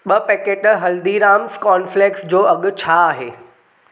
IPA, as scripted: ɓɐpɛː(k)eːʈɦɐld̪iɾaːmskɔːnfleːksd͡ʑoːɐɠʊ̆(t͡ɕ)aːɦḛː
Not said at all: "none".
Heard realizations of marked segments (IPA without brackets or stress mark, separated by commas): k, t͡ɕʰ